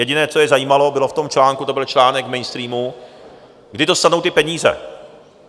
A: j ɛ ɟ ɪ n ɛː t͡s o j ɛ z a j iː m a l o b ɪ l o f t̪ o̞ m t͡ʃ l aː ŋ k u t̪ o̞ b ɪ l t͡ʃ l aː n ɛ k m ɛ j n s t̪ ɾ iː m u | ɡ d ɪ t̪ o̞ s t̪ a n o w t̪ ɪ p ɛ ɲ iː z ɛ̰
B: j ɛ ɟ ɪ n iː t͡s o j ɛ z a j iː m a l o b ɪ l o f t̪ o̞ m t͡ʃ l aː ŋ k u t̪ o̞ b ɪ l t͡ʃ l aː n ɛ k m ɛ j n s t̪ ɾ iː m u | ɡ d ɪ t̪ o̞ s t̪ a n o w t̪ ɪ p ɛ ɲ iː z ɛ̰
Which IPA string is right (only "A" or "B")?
A